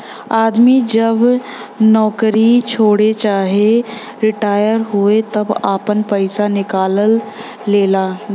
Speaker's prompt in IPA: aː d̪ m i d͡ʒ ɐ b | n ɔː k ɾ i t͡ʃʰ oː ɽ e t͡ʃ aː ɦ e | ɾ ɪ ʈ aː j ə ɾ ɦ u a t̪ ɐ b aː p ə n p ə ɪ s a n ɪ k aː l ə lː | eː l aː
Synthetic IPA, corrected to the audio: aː d̪ m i d͡ʒ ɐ b | n ɔː k ɾ i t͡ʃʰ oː ɽ e t͡ʃ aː ɦ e | ɾ ɪ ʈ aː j ə ɾ ɦ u e t̪ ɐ b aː p ə n p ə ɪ s a n ɪ k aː l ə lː | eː l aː

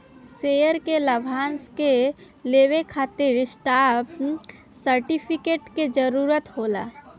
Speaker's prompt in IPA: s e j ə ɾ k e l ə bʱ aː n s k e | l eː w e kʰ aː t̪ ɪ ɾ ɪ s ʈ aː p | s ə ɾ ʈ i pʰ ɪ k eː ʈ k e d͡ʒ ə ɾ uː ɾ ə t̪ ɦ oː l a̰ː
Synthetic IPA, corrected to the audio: s e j ə ɾ k e l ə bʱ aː n s k e | l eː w e kʰ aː t̪ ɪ ɾ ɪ s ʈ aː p | s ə ɾ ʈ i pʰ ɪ k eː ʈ k e d͡ʒ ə ɾ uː ɾ ə t̪ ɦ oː l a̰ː

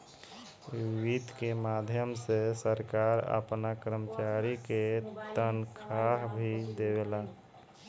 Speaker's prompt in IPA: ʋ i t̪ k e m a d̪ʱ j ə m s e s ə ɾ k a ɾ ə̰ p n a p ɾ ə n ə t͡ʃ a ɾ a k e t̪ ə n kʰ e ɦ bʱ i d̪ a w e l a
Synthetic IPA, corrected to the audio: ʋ i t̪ k e m a d̪ʱ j ə m s e s ə ɾ k a ɾ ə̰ p n a k ɾ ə m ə t͡ʃ a ɾ i k e t̪ ə n kʰ a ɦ bʱ i d̪ e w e l a

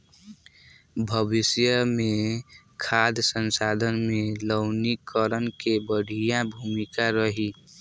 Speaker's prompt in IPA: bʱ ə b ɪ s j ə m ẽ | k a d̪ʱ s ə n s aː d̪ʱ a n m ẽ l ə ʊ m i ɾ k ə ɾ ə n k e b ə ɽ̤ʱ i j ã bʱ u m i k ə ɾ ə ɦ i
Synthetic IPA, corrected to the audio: bʱ ə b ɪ s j ə m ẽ | kʰ a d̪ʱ s ə n s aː d̪ʱ ə n m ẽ l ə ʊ n i k ə ɾ ə n k e b ə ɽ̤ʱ i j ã bʱ u m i k a ɾ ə ɦ i

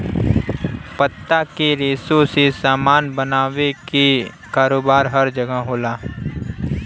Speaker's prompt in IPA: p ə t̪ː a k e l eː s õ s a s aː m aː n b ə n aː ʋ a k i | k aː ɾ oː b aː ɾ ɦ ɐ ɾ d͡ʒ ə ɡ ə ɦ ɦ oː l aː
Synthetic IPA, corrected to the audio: p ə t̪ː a k e ɾ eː s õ s e s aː m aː n b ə n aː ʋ e k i | k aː ɾ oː b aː ɾ ɦ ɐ ɾ d͡ʒ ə ɡ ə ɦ ɦ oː l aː

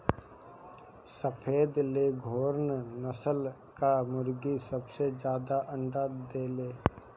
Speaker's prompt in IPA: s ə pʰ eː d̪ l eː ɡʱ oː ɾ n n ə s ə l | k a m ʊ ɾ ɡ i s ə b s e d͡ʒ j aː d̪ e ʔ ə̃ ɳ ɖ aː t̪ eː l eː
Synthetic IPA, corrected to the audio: s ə pʰ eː d̪ l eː ɡʱ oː ɾ n n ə s ə l | k a m ʊ ɾ ɡ i s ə b s e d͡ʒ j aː d̪ a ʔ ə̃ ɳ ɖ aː d̪ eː l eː

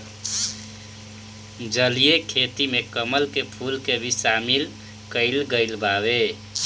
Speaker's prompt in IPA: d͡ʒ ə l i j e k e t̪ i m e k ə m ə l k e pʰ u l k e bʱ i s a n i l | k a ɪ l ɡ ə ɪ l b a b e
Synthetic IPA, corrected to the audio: d͡ʒ ə l i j e kʰ e t̪ i m e k ə m ə l k e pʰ u l k e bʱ i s a m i l | k ə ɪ l ɡ ə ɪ l b a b e

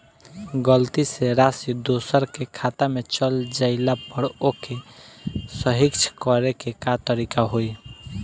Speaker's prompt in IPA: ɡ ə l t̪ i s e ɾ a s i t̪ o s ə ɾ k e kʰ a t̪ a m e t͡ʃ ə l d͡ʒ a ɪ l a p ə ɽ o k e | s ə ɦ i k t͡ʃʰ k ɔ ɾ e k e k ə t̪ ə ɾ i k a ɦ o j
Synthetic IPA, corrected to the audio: ɡ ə l t̪ i s e ɾ a s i d̪ o s ə ɾ k e kʰ a t̪ a m e t͡ʃ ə l d͡ʒ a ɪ l a p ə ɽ o k e | s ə ɦ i k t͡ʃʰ k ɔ ɾ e k e k a t̪ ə ɾ i k a ɦ o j

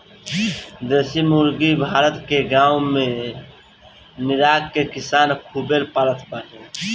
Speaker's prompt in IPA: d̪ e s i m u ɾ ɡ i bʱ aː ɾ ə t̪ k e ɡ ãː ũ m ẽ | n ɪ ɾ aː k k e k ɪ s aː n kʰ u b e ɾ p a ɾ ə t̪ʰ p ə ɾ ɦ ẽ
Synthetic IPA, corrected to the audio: d̪ e s i m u ɾ ɡ i bʱ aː ɾ ə t̪ k e ɡ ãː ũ m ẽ | n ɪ ɾ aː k k e k ɪ s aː n kʰ u b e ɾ p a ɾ ə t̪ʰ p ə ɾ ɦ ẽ

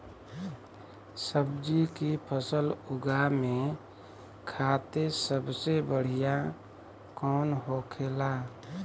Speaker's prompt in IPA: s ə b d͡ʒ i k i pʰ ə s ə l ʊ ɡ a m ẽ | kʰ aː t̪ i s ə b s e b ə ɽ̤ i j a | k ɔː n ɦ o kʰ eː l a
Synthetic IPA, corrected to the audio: s ə b d͡ʒ i k i pʰ ə s ə l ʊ ɡ a m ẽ | kʰ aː t̪ e s ə b s e b ə ɽ̤ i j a | k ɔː n ɦ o kʰ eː l a

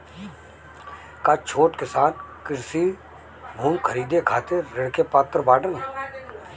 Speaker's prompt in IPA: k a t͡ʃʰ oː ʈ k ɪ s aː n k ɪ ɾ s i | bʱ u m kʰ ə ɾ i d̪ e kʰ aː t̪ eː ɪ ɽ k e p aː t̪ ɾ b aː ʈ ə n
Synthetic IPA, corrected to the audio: k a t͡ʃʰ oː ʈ k ɪ s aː n k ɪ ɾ s i | bʱ uː m kʰ ə ɾ iː d̪ e kʰ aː t̪ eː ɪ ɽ k e p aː t̪ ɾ b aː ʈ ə n

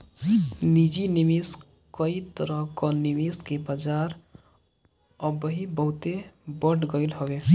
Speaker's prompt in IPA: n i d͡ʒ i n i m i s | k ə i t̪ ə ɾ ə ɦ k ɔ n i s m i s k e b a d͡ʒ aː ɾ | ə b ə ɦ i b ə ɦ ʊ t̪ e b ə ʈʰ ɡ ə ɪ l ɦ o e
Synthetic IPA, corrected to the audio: n i d͡ʒ i n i m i s | k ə i t̪ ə ɾ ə ɦ k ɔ n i m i s k e b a d͡ʒ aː ɾ | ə b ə ɦ i b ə ɦ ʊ t̪ e b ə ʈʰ ɡ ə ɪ l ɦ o e

